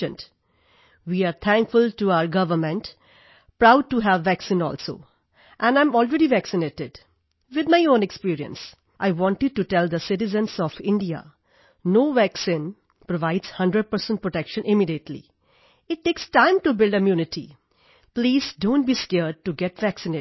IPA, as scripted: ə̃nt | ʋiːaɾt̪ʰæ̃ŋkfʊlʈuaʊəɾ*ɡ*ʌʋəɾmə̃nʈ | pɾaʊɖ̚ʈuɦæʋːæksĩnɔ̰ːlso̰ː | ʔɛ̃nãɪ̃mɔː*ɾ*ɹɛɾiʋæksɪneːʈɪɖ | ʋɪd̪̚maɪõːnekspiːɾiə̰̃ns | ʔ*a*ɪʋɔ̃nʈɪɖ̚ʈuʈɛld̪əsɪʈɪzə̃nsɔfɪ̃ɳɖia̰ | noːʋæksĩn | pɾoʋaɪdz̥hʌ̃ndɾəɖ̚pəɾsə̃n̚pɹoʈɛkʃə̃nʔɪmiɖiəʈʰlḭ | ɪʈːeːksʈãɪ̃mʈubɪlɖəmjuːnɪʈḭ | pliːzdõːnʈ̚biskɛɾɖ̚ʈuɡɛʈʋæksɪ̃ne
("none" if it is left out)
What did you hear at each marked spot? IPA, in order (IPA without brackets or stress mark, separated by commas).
ɡ, l, a